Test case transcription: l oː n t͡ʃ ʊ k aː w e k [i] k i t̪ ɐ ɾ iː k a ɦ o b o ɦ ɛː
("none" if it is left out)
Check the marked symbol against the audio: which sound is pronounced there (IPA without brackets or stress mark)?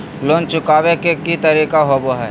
e